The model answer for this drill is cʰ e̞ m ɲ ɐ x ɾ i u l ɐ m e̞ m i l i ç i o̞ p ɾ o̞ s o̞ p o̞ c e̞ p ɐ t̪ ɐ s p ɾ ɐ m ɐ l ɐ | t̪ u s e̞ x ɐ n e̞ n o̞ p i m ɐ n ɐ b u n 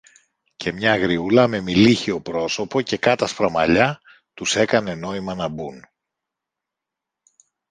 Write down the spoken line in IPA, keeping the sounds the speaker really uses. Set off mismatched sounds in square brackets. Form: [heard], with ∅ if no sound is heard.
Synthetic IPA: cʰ e̞ m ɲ ɐ [ɣ] ɾ i u l ɐ m e̞ m i l i ç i o̞ p ɾ o̞ s o̞ p o̞ c e̞ [k] ɐ t̪ ɐ s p ɾ ɐ m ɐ [ʎ] ɐ | t̪ u s e̞ [k] ɐ n e̞ n o̞ [∅] i m ɐ n ɐ b u n